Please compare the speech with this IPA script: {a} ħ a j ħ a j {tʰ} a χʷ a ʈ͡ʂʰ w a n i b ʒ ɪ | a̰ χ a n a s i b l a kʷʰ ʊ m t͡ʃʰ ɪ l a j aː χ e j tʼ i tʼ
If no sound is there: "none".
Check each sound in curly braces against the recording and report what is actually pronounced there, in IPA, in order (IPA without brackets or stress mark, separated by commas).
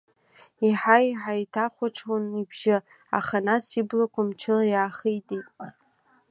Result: i, tʰ